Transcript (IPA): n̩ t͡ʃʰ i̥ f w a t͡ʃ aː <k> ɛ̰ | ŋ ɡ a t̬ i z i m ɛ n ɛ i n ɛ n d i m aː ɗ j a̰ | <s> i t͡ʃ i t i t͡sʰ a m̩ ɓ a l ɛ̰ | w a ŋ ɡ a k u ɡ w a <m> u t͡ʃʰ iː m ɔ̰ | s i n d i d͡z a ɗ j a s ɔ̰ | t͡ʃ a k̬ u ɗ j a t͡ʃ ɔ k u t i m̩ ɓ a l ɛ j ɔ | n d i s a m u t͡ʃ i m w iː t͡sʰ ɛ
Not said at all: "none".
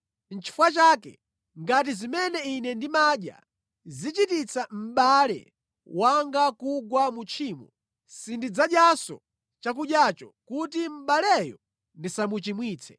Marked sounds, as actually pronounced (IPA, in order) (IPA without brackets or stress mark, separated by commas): k, z, m